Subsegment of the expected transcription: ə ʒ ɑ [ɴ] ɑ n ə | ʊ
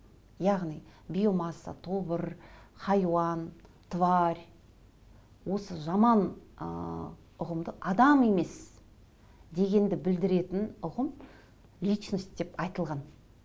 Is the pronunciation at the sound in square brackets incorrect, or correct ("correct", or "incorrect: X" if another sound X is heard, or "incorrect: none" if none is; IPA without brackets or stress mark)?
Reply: incorrect: m